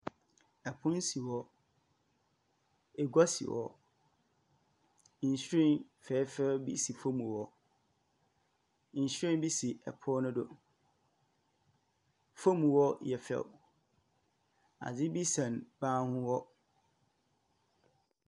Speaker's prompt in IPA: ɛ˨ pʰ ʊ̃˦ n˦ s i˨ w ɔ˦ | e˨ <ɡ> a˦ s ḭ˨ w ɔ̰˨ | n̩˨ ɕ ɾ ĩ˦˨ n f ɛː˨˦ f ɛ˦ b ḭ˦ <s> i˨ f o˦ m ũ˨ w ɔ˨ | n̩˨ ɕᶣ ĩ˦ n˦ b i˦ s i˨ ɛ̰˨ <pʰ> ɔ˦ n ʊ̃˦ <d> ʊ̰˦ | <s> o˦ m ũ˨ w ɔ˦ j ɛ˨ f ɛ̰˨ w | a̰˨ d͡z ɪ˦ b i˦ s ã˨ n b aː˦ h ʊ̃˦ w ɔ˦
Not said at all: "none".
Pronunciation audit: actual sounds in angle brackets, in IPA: ɡ, s, pʰ, d, f

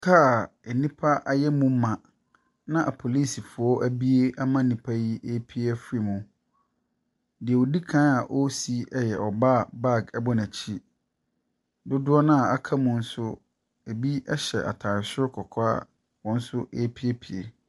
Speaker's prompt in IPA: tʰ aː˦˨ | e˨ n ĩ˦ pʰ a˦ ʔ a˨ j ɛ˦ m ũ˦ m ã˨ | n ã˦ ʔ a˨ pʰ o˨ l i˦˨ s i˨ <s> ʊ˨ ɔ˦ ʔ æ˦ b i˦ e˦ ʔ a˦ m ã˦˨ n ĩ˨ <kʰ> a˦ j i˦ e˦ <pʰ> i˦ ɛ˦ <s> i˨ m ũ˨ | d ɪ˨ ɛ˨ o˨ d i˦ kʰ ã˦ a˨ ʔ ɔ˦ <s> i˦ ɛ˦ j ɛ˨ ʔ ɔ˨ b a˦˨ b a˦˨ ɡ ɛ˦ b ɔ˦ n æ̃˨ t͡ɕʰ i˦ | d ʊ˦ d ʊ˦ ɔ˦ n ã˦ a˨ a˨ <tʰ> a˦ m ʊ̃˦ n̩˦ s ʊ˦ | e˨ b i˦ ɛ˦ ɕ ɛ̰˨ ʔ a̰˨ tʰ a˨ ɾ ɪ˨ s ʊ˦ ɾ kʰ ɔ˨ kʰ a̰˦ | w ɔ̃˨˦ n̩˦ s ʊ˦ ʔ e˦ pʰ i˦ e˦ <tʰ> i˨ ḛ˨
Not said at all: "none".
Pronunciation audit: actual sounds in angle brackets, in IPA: f, pʰ, pʰ, f, s, kʰ, pʰ

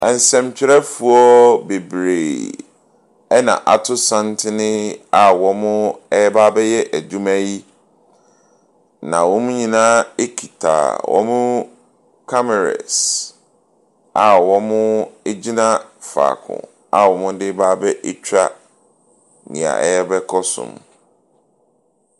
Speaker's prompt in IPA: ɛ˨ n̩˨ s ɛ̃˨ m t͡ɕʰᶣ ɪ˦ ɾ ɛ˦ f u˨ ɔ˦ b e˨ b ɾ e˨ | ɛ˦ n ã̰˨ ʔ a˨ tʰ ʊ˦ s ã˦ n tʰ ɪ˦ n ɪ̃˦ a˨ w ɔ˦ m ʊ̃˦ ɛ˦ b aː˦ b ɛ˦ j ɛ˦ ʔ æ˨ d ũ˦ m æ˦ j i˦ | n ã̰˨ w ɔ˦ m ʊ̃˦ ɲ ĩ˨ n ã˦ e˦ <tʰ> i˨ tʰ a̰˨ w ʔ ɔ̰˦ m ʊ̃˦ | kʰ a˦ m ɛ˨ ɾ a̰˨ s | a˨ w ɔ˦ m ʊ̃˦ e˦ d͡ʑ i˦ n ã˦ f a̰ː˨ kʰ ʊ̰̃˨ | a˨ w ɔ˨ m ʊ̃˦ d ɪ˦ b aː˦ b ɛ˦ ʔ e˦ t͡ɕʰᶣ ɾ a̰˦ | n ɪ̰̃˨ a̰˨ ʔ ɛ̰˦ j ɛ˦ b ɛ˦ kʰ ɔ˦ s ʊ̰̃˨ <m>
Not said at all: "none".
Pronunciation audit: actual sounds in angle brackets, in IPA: kʰ, m

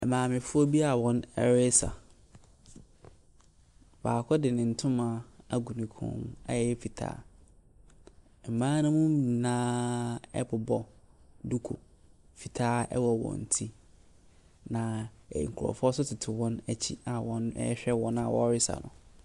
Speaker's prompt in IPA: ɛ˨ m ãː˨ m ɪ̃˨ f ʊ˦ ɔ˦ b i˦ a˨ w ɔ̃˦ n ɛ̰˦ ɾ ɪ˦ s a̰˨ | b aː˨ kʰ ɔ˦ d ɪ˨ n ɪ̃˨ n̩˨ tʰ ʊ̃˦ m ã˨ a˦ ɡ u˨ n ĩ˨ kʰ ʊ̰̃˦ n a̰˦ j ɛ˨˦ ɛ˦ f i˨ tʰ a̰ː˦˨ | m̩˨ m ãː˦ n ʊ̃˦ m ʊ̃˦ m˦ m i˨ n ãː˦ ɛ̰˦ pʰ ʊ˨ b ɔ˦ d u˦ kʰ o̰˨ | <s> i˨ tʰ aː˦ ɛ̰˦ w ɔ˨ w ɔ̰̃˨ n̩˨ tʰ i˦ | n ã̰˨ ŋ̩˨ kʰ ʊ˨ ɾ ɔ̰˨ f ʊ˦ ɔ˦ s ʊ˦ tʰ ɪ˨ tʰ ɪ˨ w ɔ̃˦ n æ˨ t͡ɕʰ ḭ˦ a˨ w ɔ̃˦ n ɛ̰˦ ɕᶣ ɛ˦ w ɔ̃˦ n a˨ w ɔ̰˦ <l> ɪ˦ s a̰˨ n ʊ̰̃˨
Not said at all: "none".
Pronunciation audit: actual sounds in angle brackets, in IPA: f, ɾ

